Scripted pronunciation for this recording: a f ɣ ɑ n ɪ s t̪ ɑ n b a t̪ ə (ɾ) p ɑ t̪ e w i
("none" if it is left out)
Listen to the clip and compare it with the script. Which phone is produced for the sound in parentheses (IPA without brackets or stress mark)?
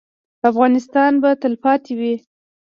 l